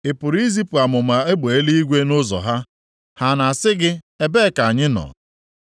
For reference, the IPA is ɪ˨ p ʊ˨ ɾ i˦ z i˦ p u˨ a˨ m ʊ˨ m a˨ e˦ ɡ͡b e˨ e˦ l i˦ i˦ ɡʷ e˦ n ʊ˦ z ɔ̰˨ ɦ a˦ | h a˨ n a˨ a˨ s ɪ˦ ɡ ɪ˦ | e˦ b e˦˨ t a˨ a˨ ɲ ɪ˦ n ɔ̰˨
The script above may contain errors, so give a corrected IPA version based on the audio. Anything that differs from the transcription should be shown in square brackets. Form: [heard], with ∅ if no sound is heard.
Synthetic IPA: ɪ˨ p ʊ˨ ɾ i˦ z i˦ p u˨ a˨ m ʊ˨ m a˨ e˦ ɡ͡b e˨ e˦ l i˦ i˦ ɡʷ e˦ n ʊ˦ z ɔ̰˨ ɦ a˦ | h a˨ n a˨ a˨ s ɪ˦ ɡ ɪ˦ | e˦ b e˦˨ [k] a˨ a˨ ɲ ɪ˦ n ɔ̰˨

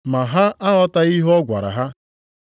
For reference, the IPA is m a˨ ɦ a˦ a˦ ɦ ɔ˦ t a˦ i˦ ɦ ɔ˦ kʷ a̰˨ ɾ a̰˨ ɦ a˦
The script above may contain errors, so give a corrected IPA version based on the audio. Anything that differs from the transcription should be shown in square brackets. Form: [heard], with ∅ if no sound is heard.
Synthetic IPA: m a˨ ɦ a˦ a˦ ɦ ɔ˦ t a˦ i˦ ɦ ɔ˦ [ɡʷ] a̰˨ ɾ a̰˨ ɦ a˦

